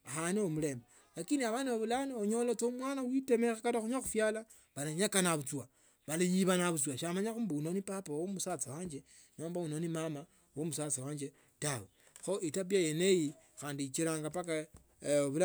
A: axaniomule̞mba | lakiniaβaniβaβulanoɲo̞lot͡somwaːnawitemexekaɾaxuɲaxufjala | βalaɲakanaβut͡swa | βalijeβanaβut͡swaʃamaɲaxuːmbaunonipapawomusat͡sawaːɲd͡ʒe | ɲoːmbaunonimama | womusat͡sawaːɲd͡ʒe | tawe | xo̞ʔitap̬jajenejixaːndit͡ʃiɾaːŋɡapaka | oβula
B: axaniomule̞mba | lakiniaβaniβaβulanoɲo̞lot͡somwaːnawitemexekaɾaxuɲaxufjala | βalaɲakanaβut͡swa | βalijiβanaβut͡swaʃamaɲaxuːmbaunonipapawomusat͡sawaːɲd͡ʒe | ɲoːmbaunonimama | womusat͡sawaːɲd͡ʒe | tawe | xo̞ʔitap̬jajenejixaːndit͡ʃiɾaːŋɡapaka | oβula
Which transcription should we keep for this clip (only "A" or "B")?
B